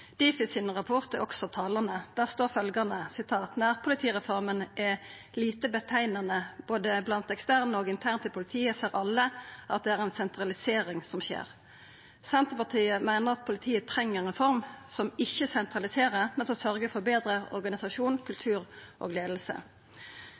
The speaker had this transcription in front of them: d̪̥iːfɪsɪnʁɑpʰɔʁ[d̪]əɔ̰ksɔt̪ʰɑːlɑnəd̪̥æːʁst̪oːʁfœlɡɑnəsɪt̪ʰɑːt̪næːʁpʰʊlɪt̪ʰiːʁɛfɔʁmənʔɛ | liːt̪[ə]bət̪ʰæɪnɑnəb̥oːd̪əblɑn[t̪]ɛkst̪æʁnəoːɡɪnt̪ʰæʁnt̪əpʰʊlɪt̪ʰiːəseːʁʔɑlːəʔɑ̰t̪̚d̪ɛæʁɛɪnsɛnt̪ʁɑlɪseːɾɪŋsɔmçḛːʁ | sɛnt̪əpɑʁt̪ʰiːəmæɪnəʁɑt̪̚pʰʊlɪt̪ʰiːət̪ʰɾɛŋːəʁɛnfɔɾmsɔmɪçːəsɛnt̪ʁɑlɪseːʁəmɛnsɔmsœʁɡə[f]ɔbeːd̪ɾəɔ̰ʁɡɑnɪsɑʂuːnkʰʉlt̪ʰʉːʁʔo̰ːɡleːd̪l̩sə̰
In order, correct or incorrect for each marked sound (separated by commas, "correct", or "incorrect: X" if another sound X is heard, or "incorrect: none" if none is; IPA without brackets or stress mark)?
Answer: incorrect: t̪, correct, correct, correct